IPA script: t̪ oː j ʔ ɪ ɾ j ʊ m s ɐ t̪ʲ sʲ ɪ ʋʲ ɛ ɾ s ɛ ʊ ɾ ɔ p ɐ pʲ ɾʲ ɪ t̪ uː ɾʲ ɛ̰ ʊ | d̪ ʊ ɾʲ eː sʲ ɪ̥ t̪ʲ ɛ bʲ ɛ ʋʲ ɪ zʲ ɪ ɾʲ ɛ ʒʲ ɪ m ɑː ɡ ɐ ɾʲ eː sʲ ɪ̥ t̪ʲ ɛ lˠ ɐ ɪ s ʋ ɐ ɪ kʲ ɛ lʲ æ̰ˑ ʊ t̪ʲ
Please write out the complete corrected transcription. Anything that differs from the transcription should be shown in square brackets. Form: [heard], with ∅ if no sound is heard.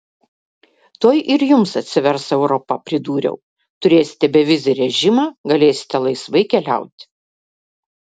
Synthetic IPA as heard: t̪ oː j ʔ ɪ ɾ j ʊ m s ɐ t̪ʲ sʲ ɪ ʋʲ ɛ ɾ s ɛ ʊ ɾ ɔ p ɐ pʲ ɾʲ ɪ [d̪] uː ɾʲ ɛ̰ ʊ | [t̪] ʊ ɾʲ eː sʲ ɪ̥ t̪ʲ ɛ bʲ ɛ ʋʲ ɪ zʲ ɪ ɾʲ ɛ ʒʲ ɪ m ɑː ɡ ɐ [lʲ] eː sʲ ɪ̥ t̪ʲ ɛ lˠ ɐ ɪ s ʋ ɐ ɪ kʲ ɛ lʲ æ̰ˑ ʊ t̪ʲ